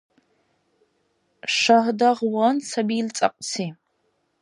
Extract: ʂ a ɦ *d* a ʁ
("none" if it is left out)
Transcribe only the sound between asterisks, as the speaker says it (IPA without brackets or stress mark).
d